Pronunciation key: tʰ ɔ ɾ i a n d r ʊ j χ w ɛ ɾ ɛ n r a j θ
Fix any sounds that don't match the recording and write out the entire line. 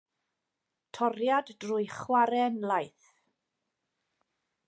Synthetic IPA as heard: tʰ ɔ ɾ j a d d r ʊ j χ w a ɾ ɛ n l a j θ